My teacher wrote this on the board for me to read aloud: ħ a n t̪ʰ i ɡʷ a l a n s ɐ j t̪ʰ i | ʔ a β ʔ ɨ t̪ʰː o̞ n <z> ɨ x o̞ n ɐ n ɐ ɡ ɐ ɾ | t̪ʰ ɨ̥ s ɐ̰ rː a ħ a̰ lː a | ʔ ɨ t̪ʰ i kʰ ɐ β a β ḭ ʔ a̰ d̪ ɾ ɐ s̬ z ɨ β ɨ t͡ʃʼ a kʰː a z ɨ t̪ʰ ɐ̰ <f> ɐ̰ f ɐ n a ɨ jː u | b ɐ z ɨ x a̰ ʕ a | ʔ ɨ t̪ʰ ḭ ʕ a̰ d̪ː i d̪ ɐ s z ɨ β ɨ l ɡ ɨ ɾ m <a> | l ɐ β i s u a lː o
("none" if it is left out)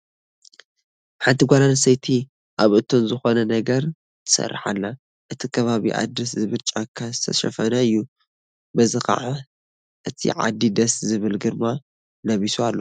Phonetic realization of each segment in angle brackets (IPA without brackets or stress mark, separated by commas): z, ʃ, a